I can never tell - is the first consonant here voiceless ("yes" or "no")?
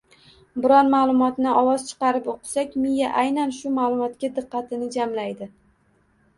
no